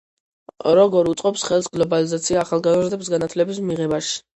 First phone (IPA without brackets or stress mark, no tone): ɾ